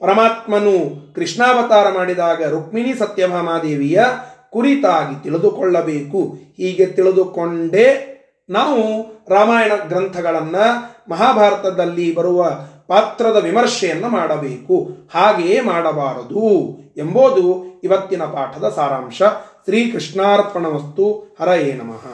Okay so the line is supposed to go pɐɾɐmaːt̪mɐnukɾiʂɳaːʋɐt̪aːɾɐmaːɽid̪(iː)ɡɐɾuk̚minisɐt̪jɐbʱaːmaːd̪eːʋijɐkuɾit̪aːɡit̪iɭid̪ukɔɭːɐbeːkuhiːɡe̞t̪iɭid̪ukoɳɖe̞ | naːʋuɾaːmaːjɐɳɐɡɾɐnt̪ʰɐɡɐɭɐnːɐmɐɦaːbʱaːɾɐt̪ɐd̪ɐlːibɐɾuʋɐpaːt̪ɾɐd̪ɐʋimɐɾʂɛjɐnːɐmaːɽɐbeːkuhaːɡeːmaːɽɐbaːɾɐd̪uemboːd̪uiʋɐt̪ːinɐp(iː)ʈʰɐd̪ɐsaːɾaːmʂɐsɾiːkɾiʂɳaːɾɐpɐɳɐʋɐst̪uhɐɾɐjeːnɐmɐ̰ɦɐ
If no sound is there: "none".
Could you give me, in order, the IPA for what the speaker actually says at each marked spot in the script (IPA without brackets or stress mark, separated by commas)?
aː, aː